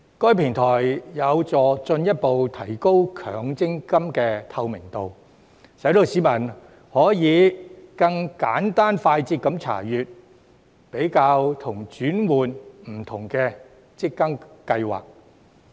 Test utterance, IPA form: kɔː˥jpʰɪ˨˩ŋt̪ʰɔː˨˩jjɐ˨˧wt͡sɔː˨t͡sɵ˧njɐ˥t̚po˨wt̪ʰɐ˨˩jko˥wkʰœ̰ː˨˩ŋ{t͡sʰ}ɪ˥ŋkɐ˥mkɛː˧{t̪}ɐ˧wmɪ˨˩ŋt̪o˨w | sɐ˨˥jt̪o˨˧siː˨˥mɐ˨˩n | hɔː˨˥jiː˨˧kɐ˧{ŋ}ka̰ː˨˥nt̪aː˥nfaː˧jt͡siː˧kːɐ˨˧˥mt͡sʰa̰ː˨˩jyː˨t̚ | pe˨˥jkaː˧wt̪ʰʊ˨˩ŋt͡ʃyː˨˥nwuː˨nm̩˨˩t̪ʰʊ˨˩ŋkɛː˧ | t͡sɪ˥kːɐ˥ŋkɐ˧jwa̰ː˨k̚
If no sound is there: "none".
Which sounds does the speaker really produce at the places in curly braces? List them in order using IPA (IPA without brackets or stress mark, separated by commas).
t͡s, t̪ʰ, ŋ